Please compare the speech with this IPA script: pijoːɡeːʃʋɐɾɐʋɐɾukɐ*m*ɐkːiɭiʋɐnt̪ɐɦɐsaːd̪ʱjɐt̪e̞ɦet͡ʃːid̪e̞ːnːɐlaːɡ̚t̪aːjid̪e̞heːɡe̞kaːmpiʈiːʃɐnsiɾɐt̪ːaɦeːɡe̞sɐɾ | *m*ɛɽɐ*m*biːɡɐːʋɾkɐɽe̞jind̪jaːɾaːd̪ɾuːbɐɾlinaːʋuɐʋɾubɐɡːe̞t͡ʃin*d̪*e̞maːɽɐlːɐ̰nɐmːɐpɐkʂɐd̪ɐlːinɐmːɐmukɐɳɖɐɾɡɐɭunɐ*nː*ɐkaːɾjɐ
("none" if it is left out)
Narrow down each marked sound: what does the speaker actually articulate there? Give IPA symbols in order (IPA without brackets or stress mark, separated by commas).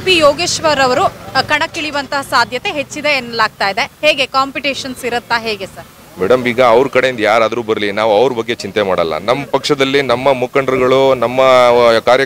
ɳ, m, m, t̪, mː